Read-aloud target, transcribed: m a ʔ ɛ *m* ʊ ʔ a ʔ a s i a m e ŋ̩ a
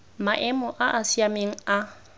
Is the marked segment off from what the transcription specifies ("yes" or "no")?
no